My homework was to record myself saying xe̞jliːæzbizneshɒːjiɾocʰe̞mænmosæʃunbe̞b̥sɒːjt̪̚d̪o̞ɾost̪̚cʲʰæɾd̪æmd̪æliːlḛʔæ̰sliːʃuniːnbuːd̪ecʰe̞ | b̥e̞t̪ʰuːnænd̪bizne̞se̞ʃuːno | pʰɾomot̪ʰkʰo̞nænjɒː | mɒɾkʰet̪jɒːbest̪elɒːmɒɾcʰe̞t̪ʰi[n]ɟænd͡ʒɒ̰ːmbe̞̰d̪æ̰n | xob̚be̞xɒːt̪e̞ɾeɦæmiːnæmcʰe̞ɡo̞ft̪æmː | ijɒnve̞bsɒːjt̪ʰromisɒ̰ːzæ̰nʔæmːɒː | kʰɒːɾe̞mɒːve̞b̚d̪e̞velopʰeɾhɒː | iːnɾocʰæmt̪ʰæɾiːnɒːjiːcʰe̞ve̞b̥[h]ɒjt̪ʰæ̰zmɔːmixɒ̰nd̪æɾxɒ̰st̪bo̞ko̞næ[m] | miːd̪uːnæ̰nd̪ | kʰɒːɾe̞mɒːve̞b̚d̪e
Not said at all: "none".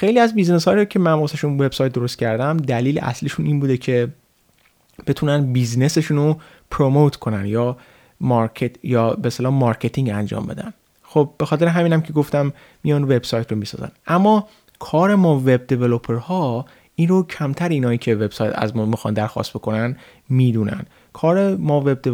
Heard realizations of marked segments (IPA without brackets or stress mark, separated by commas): ŋ, s, n